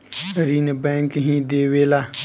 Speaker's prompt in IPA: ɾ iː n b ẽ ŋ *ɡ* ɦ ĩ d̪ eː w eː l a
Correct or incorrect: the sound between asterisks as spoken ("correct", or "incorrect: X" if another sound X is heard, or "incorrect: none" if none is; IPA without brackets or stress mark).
incorrect: k